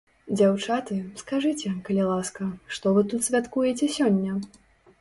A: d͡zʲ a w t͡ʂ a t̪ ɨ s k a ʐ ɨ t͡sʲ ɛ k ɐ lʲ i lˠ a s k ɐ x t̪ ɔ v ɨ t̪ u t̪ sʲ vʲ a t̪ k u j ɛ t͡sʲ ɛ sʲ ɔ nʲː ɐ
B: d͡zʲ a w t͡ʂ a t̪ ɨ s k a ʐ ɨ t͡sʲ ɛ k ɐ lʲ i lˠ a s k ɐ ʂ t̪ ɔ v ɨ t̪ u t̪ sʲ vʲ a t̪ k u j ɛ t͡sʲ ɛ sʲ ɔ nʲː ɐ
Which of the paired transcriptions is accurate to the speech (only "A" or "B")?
B